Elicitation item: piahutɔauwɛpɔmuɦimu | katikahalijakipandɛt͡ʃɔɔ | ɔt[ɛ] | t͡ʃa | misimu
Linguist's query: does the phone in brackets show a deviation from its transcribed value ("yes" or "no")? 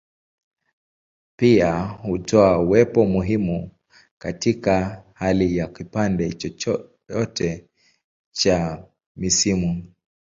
no